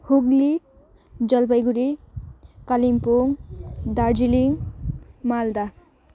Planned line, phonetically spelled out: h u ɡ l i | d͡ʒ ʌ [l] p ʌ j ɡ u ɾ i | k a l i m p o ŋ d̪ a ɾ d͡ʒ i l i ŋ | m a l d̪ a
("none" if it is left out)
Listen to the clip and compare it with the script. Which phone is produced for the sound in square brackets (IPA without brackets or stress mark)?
l